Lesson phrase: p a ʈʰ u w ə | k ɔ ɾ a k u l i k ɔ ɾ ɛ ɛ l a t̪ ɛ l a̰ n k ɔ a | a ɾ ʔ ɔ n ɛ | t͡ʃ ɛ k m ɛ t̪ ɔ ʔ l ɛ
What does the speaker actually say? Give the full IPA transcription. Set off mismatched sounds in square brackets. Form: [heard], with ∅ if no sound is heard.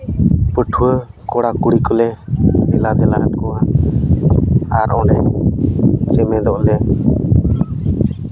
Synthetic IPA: p [ə] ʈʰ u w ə | k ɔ [ɽ] a k u [ɽ] i k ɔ [l] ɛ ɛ l a [d̪] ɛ l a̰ n k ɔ a | a ɾ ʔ ɔ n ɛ | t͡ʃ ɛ [∅] m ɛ [d̪] ɔ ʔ l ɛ